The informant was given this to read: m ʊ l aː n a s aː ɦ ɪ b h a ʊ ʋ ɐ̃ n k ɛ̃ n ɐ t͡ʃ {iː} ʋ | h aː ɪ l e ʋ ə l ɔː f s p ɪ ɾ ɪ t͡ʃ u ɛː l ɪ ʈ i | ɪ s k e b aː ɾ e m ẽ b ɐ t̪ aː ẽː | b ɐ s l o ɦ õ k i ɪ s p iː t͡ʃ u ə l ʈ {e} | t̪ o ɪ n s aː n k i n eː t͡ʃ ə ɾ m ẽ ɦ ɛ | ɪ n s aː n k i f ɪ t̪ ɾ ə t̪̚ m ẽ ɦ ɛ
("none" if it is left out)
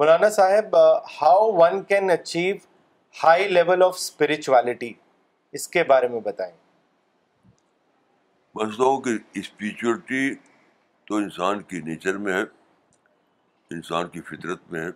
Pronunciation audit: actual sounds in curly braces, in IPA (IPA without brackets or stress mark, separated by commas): iː, i